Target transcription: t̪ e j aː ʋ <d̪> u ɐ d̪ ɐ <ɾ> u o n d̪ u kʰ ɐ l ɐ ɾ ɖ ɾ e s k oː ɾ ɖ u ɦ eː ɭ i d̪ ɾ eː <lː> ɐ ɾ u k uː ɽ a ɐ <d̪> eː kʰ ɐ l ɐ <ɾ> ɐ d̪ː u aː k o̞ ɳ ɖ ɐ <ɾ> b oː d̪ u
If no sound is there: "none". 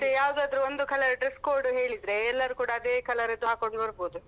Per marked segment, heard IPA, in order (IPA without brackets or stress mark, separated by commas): d̪, ɾ, lː, d̪, ɾ, ɾ